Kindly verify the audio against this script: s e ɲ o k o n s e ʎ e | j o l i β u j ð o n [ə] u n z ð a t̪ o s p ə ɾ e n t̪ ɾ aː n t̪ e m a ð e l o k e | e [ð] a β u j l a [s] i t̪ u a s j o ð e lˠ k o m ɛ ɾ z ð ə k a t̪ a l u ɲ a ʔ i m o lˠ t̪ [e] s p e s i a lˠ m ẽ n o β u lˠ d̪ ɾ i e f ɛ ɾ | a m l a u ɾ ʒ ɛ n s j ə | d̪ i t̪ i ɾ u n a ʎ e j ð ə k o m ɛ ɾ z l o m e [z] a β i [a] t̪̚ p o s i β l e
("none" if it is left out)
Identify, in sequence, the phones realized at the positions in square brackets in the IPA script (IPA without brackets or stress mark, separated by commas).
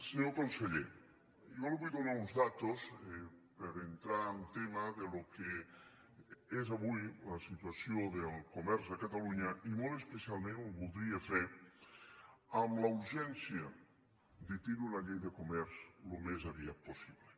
a, z, s, e, z, a